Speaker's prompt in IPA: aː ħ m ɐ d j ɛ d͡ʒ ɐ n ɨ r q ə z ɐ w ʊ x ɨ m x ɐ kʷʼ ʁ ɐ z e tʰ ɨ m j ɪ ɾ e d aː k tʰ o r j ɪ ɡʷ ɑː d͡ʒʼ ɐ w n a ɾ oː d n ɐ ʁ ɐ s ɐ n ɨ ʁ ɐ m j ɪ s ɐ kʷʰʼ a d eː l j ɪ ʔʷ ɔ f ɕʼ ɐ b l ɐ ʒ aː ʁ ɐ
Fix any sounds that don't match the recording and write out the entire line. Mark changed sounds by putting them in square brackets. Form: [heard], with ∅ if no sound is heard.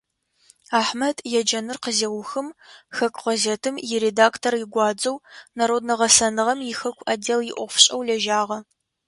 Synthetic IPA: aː ħ m ɐ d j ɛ d͡ʒ ɐ n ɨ r q ə z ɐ w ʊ x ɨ m x ɐ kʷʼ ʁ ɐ z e tʰ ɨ m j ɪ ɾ e d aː k tʰ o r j ɪ ɡʷ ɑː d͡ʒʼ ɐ w n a ɾ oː d n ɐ ʁ ɐ s ɐ n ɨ ʁ ɐ m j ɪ [x] ɐ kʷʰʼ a d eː l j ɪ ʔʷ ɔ f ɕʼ ɐ [w] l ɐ ʒ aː ʁ ɐ

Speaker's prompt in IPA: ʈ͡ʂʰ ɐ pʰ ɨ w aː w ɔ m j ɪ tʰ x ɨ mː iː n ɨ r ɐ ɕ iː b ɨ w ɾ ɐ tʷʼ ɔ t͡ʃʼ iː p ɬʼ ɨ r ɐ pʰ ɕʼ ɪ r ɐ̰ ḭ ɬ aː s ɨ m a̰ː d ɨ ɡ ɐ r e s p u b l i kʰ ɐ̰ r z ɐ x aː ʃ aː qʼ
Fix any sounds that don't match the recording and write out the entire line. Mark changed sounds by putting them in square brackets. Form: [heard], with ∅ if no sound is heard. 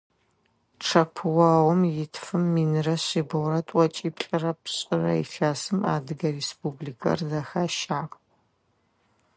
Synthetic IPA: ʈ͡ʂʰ ɐ pʰ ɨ w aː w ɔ m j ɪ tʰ [f] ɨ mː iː n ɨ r ɐ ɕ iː b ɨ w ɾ ɐ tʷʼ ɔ t͡ʃʼ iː p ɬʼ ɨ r ɐ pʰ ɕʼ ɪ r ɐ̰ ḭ ɬ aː s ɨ m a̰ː d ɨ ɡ ɐ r e s p u b l i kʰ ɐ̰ r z ɐ x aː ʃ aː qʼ

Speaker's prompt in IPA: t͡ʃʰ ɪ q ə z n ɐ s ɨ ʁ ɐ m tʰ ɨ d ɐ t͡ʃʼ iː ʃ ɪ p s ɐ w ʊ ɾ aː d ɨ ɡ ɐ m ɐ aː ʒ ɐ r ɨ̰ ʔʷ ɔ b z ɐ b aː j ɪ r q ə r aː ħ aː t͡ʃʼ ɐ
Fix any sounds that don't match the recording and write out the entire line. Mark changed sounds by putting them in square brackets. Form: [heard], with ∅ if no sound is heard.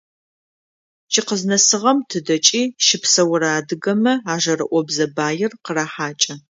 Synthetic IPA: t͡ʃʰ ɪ q ə z n ɐ s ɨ ʁ ɐ m tʰ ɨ d ɐ t͡ʃʼ iː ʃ ɪ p s ɐ w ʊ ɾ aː d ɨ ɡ ɐ m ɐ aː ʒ ɐ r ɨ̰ ʔʷ ɔ b z ɐ b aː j ɪ r q ə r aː ħ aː t͡ʃʼ ɐ

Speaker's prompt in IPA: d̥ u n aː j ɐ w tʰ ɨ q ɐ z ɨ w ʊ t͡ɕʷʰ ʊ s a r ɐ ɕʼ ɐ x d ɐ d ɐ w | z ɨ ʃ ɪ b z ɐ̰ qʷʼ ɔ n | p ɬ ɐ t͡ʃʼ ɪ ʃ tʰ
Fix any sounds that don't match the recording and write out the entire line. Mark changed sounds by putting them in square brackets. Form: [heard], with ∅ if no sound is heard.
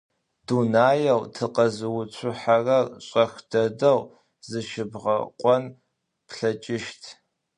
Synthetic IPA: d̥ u n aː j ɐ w tʰ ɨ q ɐ z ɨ w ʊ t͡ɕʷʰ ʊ [ħ] a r ɐ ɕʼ ɐ x d ɐ d ɐ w | z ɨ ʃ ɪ b [ʁ] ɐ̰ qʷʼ ɔ n | p ɬ ɐ t͡ʃʼ ɪ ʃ tʰ

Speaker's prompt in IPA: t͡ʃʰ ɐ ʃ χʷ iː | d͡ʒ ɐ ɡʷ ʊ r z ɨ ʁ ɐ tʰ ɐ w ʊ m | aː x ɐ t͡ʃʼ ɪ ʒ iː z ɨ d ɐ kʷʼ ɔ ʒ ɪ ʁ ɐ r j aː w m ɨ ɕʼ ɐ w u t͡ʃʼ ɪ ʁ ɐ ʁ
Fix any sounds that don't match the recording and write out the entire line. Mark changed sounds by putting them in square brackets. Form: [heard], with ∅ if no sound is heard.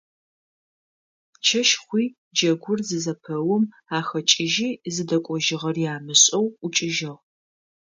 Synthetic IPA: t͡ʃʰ ɐ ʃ χʷ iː | d͡ʒ ɐ ɡʷ ʊ r z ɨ [z] ɐ [pʰ] ɐ w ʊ m | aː x ɐ t͡ʃʼ ɪ ʒ iː z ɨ d ɐ kʷʼ ɔ ʒ ɪ ʁ ɐ r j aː [∅] m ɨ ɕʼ ɐ w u t͡ʃʼ ɪ [ʒ] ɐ ʁ

